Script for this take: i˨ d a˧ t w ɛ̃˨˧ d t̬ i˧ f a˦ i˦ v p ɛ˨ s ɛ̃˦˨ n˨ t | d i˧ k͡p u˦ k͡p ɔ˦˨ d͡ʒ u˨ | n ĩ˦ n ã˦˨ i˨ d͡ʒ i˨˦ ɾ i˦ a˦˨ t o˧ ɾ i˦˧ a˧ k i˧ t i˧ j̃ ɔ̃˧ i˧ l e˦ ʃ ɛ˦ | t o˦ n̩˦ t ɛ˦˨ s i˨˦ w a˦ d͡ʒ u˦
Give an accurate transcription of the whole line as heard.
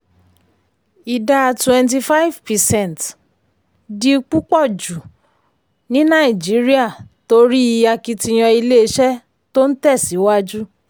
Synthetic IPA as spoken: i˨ d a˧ t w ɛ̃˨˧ n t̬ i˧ f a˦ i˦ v p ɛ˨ s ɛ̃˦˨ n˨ t | d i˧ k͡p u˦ k͡p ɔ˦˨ d͡ʒ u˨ | n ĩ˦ n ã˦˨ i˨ d͡ʒ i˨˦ ɾ i˦ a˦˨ t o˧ ɾ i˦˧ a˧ k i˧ t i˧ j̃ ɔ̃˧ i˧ l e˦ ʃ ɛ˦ | t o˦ n̩˦ t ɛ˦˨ s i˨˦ w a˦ d͡ʒ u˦